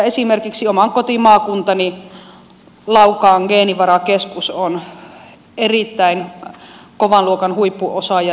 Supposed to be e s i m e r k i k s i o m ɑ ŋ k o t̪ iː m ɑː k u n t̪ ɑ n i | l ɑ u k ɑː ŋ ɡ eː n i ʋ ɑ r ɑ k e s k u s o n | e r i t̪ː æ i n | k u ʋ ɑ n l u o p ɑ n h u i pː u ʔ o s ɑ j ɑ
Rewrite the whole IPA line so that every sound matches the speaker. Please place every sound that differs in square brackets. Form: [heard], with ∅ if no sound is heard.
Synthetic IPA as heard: e s i m e r k i k s i o m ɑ ŋ k o t̪ [i] m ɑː k u n t̪ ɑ n i | l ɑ u k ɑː ŋ ɡ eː n i ʋ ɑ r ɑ k e s k u s o n | e r i t̪ː æ i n | k [o] ʋ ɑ n l u o [k] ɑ n h u i pː u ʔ o s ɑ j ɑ